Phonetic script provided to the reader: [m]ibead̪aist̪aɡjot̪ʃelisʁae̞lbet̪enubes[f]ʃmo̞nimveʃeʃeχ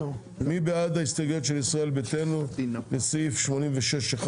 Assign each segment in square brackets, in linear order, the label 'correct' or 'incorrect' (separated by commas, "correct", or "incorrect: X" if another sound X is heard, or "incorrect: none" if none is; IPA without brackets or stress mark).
correct, correct